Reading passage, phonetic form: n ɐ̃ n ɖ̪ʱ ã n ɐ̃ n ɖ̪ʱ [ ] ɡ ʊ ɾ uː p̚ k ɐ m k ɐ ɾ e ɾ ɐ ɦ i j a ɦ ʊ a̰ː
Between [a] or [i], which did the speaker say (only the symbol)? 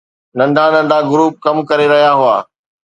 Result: a